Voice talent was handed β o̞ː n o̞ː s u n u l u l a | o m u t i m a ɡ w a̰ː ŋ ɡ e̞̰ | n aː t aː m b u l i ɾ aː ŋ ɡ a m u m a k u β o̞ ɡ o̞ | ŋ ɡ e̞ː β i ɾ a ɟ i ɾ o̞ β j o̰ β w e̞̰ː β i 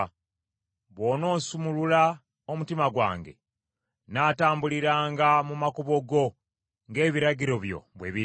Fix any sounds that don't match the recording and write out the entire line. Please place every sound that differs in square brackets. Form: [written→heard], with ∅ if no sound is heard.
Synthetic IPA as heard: β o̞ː n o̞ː s u [n→m] u l u l a | o m u t i m a ɡ w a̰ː ŋ ɡ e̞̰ | n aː t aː m b u l i ɾ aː ŋ ɡ a m u m a k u β o̞ ɡ o̞ | ŋ ɡ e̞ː β i ɾ a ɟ i ɾ o̞ β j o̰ β w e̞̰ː β i